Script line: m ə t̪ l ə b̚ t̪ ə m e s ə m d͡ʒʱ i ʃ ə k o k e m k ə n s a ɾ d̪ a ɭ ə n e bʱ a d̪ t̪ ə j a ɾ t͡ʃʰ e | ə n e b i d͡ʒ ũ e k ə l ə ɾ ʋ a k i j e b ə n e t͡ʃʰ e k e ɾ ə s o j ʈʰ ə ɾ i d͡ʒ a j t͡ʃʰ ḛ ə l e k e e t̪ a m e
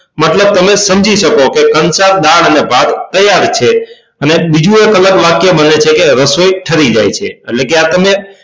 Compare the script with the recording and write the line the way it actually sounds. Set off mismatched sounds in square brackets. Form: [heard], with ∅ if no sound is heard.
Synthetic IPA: m ə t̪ l ə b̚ t̪ ə m e s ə m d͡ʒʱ i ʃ ə k o k e [∅] k ə n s a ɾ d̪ a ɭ ə n e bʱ a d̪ t̪ ə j a ɾ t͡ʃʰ e | ə n e b i d͡ʒ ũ e k ə l ə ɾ ʋ a k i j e b ə n e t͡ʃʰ e k e ɾ ə s o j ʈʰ ə ɾ i d͡ʒ a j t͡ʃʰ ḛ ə l e k e [a] t̪ [ə] m e